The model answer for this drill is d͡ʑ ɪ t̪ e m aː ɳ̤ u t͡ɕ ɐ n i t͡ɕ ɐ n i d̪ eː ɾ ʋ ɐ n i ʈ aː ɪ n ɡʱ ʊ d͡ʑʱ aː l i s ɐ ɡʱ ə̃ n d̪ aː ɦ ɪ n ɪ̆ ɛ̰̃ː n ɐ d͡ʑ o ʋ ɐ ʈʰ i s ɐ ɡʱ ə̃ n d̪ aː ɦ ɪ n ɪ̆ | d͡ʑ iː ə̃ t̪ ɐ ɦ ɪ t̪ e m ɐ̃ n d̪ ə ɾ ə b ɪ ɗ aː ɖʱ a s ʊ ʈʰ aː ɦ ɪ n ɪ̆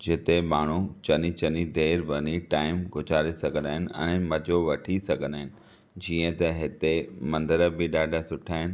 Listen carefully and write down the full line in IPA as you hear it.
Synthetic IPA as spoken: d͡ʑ ɪ t̪ e m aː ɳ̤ u t͡ɕ ɐ n i t͡ɕ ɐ n i d̪ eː ɾ ʋ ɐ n i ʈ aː ɪ m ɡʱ ʊ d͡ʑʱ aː ɾ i s ɐ ɡʱ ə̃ n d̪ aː ɦ ɪ n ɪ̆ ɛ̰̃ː m ɐ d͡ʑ o ʋ ɐ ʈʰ i s ɐ ɡʱ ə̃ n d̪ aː ɦ ɪ n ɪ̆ | d͡ʑ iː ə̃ t̪ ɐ ɦ ɪ t̪ e m ɐ̃ n d̪ ə ɾ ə b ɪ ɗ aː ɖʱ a s ʊ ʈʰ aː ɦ ɪ n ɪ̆